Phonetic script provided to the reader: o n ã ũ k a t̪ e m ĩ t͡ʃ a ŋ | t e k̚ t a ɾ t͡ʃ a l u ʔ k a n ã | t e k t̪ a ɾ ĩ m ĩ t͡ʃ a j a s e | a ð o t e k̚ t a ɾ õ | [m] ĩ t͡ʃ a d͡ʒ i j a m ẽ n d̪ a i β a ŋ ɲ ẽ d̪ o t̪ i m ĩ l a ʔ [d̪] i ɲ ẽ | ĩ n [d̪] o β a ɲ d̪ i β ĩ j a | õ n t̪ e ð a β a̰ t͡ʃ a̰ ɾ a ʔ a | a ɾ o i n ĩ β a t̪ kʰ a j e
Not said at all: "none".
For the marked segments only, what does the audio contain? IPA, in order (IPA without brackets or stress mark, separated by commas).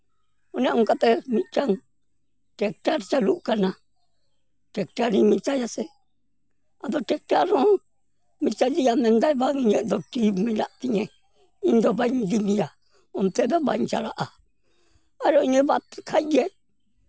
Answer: m, t̪, d̪